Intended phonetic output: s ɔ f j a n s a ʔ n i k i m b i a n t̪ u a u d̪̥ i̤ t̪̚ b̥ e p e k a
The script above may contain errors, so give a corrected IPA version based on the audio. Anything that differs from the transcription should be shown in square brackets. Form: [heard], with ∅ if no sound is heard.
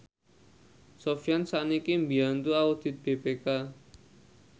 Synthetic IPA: s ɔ f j a n s a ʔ n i k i m b i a n t̪ u a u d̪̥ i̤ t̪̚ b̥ e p e k a